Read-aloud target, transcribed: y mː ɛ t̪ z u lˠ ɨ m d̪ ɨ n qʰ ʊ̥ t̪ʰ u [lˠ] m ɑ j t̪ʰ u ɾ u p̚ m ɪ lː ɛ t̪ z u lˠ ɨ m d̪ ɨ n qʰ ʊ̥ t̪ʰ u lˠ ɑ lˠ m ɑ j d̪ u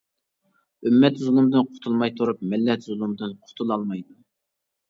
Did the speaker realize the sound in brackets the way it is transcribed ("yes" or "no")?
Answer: yes